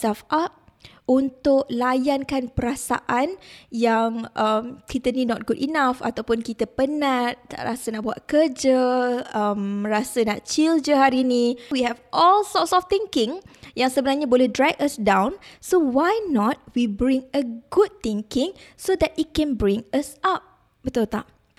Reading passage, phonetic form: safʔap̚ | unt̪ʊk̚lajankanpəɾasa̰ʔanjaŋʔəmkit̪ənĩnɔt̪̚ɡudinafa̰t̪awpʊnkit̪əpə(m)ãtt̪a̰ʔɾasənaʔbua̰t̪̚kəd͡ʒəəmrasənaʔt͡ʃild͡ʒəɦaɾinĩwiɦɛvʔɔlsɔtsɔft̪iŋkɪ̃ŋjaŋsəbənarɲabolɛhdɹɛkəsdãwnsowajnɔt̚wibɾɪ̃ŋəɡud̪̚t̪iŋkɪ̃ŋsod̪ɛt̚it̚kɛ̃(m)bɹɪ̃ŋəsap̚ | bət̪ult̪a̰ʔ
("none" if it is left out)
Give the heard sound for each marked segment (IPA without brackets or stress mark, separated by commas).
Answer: n, n